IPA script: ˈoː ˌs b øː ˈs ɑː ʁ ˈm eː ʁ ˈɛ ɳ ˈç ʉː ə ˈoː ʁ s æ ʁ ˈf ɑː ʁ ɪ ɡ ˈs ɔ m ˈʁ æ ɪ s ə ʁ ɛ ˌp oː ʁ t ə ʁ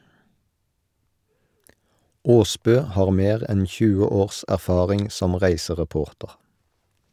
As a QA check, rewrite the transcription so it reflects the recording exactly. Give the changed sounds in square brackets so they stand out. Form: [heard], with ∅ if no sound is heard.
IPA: ˈoː ˌs b øː [ˈh] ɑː ʁ ˈm eː ʁ ˈɛ [n] ˈç ʉː ə ˈoː ʁ s æ ʁ ˈf ɑː ʁ ɪ [ŋ] ˈs ɔ m ˈʁ æ ɪ s ə ʁ ɛ ˌp oː ʁ t ə ʁ